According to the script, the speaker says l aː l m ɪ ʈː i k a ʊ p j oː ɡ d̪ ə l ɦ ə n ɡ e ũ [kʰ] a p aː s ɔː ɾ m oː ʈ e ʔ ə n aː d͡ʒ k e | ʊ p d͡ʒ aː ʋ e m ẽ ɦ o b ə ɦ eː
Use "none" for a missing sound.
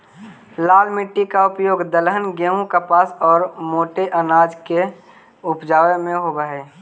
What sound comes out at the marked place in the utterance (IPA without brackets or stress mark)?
k